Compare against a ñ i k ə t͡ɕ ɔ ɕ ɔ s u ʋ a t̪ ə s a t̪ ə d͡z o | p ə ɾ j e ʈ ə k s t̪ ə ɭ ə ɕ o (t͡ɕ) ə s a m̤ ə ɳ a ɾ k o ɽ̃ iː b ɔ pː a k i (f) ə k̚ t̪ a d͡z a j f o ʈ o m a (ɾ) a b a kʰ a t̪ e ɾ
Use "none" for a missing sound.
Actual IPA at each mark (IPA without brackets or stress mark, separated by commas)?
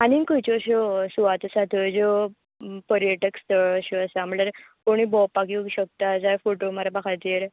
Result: none, ɕ, ɾ